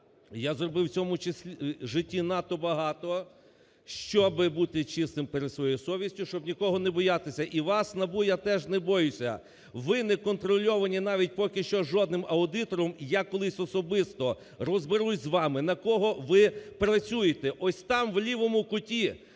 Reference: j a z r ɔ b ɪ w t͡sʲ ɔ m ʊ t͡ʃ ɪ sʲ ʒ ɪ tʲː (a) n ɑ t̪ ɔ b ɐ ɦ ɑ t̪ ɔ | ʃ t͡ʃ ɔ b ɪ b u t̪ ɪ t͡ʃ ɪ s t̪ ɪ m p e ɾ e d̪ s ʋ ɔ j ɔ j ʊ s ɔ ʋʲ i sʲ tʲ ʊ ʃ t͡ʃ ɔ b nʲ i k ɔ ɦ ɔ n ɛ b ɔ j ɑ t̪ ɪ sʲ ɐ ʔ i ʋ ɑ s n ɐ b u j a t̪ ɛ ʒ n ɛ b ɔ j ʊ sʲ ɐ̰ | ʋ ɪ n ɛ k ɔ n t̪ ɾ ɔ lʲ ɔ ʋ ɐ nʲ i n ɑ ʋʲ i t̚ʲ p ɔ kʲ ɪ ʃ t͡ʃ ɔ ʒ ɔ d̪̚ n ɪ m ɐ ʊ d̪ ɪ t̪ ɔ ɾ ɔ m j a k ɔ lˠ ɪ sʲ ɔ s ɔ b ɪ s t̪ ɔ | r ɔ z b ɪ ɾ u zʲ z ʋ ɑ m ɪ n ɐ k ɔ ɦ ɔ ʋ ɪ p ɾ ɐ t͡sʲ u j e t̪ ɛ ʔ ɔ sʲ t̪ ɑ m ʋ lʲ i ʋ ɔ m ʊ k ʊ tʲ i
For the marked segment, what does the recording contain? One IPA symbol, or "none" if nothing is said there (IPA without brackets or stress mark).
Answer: i